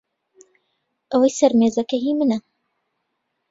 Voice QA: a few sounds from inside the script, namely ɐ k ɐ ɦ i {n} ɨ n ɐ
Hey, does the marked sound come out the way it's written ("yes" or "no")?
no